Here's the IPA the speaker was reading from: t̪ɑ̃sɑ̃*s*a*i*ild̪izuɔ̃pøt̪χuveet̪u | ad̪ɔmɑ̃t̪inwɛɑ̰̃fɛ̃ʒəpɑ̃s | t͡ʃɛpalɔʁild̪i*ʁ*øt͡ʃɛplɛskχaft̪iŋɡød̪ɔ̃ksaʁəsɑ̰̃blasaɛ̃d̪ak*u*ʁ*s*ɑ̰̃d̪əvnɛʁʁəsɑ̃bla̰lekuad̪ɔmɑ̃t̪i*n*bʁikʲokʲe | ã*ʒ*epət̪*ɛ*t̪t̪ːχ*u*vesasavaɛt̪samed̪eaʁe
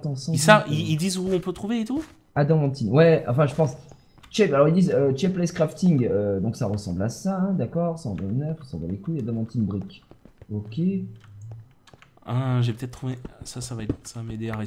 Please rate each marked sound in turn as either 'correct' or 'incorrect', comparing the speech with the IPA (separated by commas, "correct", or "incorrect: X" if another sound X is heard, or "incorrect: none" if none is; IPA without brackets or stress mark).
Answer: correct, correct, incorrect: z, incorrect: ɔ, correct, correct, correct, correct, correct